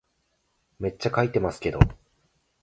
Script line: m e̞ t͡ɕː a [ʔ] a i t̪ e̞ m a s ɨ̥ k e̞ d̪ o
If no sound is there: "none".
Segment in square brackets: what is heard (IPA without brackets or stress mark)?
k